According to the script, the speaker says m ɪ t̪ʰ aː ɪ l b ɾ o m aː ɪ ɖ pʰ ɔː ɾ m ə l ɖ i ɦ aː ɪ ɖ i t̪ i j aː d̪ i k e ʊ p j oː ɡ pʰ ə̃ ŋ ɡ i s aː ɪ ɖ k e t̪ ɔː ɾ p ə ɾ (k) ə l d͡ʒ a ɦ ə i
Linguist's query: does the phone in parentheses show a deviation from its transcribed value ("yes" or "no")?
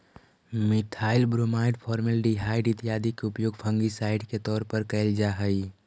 no